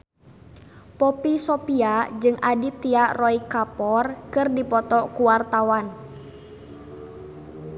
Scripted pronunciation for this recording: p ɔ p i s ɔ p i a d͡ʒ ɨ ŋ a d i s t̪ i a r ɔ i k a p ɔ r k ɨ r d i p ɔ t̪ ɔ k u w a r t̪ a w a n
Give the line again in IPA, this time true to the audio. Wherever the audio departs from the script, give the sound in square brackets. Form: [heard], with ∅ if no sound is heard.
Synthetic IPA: p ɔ p i s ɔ p i a d͡ʒ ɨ ŋ a d i [∅] t̪ i a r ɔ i k a p ɔ r k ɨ r d i p ɔ t̪ ɔ k u w a r t̪ a w a n